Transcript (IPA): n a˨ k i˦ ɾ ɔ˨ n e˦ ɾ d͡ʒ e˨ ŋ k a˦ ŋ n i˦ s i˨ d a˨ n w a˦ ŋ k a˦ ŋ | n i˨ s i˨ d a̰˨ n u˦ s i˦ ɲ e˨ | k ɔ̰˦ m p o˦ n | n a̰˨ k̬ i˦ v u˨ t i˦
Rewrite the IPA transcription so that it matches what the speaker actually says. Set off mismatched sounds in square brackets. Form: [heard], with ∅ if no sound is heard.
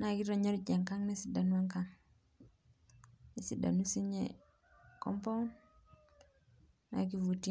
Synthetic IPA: n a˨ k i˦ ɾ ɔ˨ [ɲ] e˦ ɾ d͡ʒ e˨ ŋ k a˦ ŋ n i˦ s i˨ d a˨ n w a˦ ŋ k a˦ ŋ | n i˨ s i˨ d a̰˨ n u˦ s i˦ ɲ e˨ | k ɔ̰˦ m p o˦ n | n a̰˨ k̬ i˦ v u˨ t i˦

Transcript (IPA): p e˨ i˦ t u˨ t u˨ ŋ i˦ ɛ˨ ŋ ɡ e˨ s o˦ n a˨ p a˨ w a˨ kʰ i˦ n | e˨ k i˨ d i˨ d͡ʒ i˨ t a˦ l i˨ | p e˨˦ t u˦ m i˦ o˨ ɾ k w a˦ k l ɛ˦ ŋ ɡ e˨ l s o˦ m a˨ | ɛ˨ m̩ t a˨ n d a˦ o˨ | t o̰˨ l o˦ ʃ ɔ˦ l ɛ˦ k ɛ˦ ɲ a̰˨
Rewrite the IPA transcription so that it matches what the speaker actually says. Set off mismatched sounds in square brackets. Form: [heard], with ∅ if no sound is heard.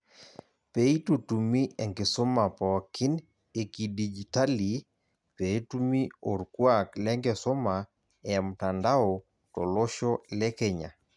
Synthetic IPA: p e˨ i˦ t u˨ t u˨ [m] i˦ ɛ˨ ŋ ɡ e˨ s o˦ [m] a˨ p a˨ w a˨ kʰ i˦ n | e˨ k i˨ d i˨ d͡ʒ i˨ t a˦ l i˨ | p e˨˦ t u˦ m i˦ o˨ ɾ k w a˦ k l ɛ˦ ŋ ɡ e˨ [∅] s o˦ m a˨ | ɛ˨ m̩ t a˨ n d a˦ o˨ | t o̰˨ l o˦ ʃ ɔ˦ l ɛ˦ k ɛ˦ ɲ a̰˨

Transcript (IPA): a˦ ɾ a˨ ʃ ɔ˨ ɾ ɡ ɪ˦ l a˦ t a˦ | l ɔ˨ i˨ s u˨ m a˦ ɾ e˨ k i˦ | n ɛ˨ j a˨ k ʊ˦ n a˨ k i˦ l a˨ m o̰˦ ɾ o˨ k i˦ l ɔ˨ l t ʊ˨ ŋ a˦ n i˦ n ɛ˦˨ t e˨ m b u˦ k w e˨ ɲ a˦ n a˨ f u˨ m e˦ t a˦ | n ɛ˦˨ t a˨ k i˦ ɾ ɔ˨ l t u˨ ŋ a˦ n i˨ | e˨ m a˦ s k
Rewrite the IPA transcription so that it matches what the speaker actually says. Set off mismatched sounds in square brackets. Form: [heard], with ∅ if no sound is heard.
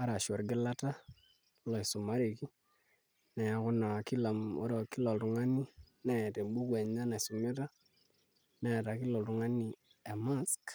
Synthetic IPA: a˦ ɾ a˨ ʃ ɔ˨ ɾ ɡ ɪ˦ l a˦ t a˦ | l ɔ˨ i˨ s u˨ m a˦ ɾ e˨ k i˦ | n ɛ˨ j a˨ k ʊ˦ n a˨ k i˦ l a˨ m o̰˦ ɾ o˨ k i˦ l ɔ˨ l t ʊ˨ ŋ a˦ n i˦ n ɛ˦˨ t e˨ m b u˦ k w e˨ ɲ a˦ n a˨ [s] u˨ m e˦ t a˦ | n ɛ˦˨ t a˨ k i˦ [l] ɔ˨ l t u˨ ŋ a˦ n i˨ | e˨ m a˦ s k

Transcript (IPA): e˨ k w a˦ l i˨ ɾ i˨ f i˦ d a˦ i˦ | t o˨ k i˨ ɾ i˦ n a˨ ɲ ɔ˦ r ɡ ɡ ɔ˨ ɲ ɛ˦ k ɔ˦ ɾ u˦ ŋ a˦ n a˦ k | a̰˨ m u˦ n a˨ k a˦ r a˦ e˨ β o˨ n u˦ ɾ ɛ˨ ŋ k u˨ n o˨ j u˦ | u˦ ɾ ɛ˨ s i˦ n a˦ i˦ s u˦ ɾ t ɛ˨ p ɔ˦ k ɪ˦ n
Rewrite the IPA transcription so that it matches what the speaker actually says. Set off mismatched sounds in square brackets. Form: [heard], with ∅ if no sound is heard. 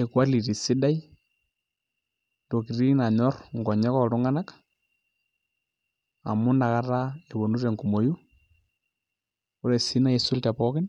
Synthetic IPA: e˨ k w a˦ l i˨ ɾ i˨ [s] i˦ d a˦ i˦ | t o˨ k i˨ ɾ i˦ n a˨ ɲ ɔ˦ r [ŋ] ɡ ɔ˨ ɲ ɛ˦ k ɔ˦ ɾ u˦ ŋ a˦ n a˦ k | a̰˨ m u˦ n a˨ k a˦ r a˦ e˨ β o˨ n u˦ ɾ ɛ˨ ŋ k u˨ [m] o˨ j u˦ | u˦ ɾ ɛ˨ s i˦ n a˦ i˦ s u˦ [l] t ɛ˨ p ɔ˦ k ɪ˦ n

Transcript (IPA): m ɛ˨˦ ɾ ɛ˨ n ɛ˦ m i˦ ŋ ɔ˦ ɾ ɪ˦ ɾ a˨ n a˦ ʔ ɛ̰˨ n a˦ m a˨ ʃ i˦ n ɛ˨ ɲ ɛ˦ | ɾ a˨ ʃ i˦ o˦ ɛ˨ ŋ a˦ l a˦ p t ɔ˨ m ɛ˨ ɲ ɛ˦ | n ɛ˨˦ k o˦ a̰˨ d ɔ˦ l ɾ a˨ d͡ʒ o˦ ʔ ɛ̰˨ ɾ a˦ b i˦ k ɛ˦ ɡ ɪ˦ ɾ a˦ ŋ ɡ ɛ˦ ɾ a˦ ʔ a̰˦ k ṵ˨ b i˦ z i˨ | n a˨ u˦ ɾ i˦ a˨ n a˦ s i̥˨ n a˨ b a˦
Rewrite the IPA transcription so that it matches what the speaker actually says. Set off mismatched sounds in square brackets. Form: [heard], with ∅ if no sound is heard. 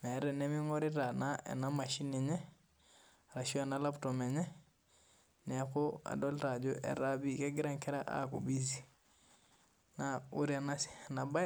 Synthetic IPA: m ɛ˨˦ ɾ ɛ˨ n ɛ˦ m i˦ ŋ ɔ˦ ɾ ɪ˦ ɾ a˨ n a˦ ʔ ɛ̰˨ n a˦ m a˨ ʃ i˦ n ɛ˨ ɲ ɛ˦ | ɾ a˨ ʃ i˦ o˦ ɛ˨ [n] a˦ l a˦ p t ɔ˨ m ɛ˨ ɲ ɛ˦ | n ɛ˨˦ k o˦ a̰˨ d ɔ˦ l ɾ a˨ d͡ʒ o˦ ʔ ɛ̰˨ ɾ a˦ b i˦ k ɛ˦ ɡ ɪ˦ ɾ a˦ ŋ [k] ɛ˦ ɾ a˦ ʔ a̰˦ k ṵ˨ b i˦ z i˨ | n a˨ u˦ ɾ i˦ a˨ n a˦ s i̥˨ n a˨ b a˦

